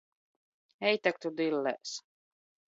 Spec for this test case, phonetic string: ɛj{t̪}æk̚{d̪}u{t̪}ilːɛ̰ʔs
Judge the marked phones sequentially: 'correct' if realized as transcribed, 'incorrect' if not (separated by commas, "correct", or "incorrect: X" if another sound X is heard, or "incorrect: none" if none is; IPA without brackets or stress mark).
correct, incorrect: t̪, incorrect: d̪